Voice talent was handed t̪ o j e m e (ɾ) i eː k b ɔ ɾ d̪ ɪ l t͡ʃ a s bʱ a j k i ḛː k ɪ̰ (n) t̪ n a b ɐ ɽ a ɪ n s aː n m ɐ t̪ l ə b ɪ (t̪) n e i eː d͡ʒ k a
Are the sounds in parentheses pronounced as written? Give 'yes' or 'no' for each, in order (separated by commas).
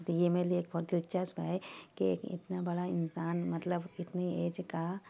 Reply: no, no, yes